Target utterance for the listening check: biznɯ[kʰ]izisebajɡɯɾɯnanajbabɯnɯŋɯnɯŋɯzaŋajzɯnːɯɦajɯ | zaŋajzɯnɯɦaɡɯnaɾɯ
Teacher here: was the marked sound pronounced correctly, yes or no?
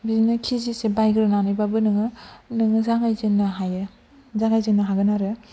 yes